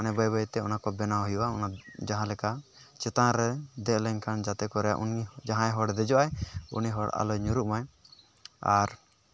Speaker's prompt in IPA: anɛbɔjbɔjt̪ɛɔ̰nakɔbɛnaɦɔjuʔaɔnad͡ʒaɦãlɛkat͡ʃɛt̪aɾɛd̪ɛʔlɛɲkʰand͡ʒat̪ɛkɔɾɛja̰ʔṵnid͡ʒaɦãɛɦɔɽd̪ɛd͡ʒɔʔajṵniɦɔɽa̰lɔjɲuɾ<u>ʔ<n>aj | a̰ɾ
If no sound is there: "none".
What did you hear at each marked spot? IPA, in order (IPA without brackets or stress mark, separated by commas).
u, m